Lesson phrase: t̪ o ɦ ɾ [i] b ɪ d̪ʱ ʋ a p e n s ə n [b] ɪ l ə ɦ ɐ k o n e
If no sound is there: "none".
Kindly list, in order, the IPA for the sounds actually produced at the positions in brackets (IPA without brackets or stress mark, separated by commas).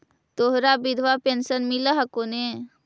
a, m